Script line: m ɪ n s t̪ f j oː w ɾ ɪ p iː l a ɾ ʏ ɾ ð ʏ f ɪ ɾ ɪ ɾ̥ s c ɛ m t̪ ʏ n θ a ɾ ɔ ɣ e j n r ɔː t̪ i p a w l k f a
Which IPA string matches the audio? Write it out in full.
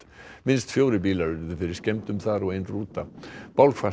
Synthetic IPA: m ɪ n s t̪ f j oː w ɾ ɪ p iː l a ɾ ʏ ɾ ð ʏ f ɪ ɾ ɪ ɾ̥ s c ɛ m t̪ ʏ m θ a ɾ ɔ ɣ e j n r uː t̪ a p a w l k f a